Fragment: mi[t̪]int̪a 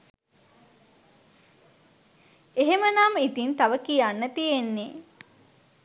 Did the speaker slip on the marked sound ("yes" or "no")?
no